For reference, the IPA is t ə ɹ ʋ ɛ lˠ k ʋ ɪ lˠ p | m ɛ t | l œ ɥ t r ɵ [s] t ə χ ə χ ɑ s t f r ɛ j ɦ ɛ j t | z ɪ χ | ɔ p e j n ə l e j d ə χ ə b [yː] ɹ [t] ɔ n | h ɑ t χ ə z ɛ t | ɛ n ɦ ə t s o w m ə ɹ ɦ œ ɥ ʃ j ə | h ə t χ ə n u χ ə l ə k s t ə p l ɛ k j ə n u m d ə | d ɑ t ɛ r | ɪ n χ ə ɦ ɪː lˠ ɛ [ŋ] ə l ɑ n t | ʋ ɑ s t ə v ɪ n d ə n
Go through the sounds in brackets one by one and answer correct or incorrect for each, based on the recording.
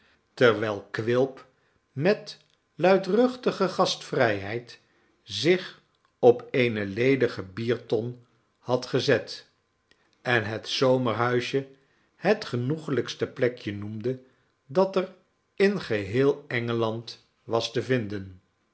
incorrect: χ, incorrect: iː, correct, correct

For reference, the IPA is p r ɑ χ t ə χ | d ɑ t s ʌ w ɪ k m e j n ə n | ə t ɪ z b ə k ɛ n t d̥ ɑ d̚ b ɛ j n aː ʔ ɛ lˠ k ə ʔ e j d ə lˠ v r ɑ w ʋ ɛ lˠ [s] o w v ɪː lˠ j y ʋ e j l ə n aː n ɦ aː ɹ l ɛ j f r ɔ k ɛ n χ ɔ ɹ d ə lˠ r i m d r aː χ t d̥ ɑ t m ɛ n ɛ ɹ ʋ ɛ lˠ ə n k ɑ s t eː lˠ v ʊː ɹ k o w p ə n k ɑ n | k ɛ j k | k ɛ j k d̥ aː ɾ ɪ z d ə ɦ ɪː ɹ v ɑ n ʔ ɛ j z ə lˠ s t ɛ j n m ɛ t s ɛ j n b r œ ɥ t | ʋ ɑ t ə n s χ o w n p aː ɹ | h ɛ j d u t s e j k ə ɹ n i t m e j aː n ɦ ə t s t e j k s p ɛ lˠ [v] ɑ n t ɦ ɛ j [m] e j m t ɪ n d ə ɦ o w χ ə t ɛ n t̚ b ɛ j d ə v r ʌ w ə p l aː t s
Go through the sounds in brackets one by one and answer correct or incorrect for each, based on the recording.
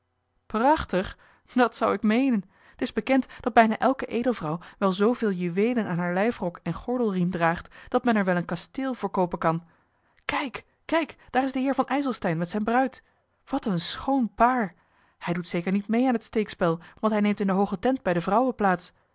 incorrect: z, incorrect: ʋ, incorrect: n

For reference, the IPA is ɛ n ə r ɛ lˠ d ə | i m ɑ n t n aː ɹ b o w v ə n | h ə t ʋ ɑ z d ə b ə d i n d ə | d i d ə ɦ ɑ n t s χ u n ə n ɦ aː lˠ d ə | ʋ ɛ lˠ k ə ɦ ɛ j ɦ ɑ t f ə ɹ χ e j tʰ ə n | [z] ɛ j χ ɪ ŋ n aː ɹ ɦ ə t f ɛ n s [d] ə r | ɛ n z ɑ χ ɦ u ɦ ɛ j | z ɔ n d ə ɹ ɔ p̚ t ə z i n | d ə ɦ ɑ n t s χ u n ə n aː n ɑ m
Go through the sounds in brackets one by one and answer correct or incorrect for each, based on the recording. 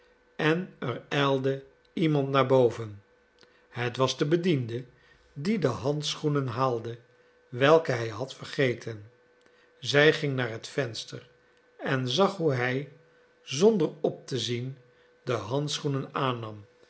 correct, incorrect: t

